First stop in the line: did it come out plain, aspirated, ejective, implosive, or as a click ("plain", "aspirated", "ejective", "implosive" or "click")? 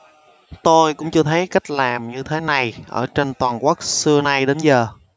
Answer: plain